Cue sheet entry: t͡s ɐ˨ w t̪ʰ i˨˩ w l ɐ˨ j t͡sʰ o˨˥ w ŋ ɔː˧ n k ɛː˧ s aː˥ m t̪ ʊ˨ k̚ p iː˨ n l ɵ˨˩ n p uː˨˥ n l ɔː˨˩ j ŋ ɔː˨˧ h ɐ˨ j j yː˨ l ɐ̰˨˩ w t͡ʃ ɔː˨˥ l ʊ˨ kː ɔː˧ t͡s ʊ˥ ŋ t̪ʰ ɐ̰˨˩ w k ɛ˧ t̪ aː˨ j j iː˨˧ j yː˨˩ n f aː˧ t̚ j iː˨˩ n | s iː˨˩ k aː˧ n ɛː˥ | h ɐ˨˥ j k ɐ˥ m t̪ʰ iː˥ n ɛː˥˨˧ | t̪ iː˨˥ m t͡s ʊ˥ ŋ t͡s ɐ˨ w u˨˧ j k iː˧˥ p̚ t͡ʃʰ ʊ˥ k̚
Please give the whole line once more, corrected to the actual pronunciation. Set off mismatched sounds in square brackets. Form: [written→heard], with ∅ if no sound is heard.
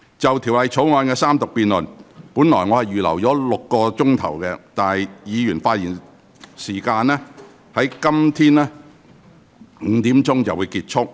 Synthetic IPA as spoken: t͡s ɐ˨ w t̪ʰ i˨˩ w l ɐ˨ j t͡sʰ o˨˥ w ŋ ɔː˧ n k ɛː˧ s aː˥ m t̪ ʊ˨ k̚ p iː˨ n l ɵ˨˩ n p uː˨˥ n l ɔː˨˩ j ŋ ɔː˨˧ h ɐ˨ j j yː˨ l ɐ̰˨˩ w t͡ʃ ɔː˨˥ l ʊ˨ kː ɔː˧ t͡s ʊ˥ ŋ t̪ʰ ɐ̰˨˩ w k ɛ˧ t̪ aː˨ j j iː˨˧ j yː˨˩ n f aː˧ t̚ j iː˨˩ n | s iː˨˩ k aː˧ n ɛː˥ | h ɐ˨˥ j k ɐ˥ m t̪ʰ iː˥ n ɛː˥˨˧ | t̪ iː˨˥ m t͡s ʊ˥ ŋ t͡s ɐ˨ w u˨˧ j k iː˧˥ [p̚→t̚] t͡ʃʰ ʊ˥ k̚